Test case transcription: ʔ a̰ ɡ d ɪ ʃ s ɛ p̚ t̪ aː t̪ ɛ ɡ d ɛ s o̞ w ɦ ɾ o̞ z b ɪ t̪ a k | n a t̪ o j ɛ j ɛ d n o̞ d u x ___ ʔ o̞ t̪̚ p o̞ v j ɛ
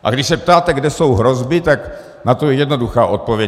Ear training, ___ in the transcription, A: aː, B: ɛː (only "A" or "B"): A